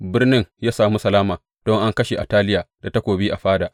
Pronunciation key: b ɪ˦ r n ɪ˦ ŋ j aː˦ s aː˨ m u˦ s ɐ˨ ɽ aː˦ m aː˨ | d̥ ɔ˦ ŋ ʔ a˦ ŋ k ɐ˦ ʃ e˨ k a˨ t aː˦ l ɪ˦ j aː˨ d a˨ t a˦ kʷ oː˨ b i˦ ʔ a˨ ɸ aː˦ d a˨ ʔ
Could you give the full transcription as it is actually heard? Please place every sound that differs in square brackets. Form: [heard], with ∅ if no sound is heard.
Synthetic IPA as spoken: b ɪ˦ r n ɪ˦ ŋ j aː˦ s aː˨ m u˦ s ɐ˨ [l] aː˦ m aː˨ | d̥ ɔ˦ ŋ ʔ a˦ ŋ k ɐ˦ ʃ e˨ [ʔ] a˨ t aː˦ l ɪ˦ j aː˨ d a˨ t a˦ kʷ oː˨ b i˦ ʔ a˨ ɸ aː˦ d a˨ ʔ